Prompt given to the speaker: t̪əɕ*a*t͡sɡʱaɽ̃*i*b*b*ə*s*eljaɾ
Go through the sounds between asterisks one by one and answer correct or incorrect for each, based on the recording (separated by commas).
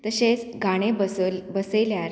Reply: incorrect, incorrect, correct, correct